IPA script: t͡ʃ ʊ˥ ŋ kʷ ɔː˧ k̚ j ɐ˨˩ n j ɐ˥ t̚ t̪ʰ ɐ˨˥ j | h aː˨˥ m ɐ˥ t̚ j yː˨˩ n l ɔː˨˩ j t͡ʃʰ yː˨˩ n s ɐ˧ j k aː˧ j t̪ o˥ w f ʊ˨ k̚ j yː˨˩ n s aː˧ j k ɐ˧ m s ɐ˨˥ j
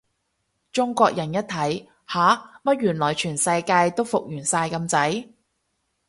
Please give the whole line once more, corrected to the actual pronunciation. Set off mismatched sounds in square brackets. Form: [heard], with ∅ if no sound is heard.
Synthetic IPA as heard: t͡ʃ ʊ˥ ŋ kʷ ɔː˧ k̚ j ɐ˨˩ n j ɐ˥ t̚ t̪ʰ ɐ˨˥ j | h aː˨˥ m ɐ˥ t̚ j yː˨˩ n l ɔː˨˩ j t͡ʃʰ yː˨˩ n s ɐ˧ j k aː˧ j t̪ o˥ w f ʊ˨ k̚ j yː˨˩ n s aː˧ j k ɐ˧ m [t͡s] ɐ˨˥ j